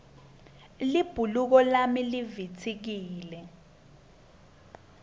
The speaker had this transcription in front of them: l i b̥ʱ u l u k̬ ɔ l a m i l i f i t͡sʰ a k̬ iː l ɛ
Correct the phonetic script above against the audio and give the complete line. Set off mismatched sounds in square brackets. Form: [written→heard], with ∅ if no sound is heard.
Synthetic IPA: l i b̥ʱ u l u k̬ ɔ l a m i l i [f→v] i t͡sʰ [a→i] k̬ iː l ɛ